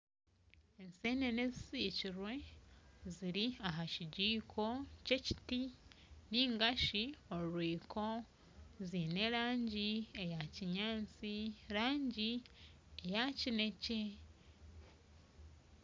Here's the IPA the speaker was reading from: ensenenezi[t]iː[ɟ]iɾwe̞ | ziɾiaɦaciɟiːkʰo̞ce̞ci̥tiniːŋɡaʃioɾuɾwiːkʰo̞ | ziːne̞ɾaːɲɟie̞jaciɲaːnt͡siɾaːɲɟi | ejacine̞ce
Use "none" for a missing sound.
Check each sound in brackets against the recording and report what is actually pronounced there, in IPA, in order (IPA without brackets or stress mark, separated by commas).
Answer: s, c